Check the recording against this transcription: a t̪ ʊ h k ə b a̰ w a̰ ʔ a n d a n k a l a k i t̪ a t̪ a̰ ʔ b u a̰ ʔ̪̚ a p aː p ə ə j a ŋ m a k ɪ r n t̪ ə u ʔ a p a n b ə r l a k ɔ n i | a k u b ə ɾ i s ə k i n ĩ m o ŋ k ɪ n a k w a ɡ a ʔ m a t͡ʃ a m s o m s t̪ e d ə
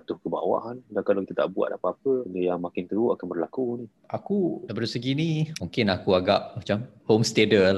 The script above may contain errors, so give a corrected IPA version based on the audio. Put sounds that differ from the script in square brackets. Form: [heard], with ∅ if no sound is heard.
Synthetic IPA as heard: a t̪ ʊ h k ə b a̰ w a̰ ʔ a n d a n k a l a k i t̪ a t̪ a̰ ʔ b u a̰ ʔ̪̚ a p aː p ə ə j a ŋ m a k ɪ [∅] n t̪ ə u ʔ a [k] a n b ə r l a k [u] n i | a k u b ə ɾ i s ə [ɡ] i n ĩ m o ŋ k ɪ n a k [u] a ɡ a ʔ m a t͡ʃ a m [h] o m s t̪ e d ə